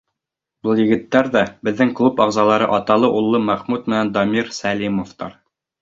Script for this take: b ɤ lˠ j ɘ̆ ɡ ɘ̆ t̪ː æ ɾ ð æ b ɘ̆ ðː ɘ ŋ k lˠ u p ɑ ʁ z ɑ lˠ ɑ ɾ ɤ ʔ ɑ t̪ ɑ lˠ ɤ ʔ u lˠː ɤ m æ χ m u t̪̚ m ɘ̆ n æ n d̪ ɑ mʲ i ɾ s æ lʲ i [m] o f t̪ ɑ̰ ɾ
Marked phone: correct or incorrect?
correct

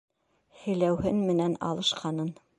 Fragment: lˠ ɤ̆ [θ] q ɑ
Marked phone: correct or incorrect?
incorrect: ʃ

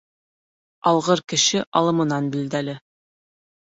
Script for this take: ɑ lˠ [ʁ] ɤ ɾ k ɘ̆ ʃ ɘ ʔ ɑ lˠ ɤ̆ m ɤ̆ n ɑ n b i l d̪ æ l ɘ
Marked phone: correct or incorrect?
correct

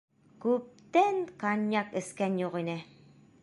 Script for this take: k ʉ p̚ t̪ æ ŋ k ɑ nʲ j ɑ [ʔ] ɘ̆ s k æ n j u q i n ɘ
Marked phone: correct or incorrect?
incorrect: k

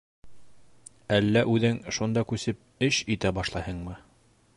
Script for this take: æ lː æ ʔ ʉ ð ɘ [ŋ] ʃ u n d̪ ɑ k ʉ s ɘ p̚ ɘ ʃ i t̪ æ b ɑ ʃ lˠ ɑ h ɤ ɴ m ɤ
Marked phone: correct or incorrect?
correct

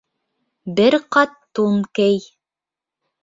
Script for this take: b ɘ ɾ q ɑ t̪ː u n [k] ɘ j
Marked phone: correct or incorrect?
correct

